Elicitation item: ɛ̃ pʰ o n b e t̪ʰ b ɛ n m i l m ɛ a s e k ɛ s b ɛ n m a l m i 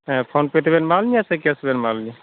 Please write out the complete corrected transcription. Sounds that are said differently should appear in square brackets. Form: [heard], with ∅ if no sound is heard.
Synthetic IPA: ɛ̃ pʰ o n [p] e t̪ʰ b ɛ n m [a] l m [i] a s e k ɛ s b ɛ n m a l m i